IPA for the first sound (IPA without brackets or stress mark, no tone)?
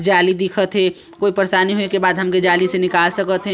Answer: d͡ʒ